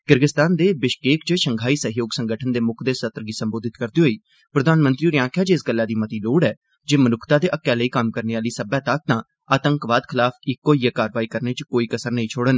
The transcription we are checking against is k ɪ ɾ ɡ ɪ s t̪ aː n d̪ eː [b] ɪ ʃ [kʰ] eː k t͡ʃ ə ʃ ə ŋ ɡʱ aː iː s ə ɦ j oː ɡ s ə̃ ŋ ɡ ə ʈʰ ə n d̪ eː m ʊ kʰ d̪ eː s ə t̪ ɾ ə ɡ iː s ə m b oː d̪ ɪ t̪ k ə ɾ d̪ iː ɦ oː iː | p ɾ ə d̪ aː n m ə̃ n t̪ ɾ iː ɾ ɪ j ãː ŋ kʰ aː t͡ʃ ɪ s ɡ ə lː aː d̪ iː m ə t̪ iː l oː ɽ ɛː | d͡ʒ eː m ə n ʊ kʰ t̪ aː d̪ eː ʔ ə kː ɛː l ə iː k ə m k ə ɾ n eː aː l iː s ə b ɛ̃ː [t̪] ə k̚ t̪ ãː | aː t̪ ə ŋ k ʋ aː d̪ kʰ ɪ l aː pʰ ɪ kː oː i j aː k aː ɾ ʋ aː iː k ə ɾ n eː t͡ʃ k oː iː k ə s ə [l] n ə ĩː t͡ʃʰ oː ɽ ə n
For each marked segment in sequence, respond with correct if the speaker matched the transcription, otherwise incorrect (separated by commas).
correct, incorrect, correct, incorrect